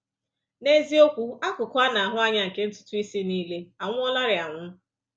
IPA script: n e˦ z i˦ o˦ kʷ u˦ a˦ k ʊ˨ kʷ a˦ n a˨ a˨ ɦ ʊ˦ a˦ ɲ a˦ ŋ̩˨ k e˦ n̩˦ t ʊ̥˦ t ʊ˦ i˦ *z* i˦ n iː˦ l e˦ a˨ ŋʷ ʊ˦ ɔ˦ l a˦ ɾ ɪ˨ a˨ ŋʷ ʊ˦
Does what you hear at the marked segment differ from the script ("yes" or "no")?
yes